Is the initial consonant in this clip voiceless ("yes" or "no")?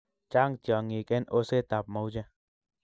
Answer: yes